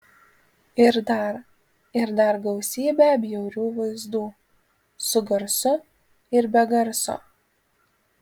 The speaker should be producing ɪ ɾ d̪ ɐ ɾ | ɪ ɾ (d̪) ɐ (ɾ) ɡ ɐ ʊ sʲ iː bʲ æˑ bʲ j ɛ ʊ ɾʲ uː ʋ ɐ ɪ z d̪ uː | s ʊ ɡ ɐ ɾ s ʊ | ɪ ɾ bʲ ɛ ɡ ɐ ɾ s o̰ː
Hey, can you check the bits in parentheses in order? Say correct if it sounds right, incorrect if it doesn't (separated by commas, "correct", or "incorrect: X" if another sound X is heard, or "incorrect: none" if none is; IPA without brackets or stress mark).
correct, correct